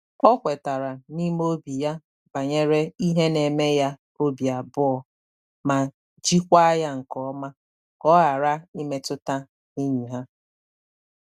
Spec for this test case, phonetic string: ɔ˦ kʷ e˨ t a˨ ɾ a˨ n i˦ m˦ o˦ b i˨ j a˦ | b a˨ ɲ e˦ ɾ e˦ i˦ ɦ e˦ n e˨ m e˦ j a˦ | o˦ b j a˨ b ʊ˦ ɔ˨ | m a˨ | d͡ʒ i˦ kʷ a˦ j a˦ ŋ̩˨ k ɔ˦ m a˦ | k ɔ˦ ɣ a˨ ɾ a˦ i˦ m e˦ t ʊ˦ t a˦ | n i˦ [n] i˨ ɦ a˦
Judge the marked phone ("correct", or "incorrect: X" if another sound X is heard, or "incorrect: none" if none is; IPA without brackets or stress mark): incorrect: ɲ